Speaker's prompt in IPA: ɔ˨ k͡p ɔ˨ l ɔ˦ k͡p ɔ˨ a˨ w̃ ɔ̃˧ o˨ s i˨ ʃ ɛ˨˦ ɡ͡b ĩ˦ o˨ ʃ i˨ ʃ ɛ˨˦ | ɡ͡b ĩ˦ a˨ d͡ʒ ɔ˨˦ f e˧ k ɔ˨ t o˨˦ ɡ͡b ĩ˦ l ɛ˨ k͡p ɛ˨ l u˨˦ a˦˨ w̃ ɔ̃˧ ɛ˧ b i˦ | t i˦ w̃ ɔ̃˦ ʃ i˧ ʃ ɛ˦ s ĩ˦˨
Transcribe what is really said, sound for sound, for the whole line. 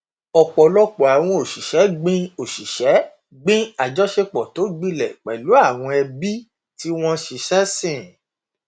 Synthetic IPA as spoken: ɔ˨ k͡p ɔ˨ l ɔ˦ k͡p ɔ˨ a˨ w̃ ɔ̃˧ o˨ ʃ i˨ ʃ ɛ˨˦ ɡ͡b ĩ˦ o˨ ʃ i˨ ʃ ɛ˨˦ | ɡ͡b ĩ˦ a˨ d͡ʒ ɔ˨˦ ʃ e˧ k͡p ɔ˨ t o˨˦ ɡ͡b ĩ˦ l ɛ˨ k͡p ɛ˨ l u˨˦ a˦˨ w̃ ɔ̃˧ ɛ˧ b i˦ | t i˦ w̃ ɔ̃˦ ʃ i˧ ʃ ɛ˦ s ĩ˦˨